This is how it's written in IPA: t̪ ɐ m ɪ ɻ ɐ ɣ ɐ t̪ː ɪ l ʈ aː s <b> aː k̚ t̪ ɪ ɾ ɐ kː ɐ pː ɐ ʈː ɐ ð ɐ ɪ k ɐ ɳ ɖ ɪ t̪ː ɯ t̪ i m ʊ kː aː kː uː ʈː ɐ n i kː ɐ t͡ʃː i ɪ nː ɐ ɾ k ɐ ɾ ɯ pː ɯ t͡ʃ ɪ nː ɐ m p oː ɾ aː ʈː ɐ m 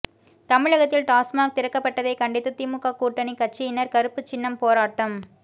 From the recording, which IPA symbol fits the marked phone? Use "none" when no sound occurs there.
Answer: m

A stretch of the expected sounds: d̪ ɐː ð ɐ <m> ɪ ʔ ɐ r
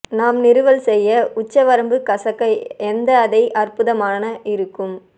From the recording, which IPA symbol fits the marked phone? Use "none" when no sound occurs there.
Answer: none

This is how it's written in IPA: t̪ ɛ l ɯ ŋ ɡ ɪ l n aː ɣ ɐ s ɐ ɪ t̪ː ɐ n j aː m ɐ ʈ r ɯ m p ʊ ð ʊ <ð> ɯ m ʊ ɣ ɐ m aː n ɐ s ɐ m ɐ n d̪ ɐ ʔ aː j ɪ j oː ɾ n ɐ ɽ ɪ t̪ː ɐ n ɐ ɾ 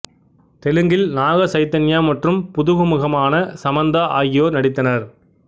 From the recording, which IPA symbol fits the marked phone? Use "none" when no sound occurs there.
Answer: ɣ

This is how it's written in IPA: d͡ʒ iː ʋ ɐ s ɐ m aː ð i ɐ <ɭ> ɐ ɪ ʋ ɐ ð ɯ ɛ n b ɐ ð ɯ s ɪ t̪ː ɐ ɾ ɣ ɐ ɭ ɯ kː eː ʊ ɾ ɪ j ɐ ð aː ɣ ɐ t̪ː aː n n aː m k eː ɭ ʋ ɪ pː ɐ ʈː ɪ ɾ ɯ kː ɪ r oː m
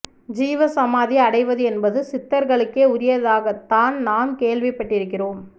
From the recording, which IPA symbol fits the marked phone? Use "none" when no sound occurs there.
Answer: ɽ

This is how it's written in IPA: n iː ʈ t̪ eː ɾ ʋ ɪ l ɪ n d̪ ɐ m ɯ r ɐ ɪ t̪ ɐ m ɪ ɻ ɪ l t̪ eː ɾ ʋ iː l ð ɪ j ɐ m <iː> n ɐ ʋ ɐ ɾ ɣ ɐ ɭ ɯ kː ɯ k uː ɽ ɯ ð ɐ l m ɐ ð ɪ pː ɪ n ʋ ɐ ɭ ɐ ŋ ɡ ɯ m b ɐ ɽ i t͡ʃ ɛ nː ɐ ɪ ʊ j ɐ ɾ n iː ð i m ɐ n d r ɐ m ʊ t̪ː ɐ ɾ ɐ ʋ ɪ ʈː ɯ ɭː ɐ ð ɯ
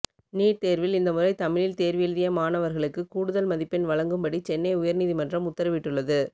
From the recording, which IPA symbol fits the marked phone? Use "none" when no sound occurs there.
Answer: aː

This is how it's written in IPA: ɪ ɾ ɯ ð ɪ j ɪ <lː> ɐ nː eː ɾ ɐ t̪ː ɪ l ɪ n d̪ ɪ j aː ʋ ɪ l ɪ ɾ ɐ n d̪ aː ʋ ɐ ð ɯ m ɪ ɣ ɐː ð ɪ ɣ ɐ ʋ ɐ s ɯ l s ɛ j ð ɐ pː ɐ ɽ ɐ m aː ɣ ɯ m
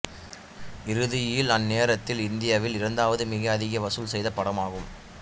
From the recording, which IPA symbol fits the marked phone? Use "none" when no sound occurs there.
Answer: l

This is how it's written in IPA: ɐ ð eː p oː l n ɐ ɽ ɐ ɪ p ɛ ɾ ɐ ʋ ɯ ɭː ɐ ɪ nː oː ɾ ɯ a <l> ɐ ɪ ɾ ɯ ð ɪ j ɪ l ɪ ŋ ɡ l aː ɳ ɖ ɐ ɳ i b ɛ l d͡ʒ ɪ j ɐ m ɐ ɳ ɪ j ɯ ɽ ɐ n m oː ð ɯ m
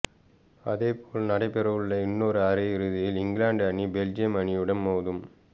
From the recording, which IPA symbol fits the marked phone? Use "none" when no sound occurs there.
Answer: ɾ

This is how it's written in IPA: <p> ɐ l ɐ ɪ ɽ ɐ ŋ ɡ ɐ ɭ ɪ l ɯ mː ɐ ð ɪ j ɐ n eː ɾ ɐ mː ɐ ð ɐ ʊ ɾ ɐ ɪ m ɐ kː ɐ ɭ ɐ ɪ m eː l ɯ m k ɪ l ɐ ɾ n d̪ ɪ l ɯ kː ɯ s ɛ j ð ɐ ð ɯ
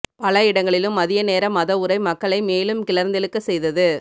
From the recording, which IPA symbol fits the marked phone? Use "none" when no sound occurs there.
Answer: p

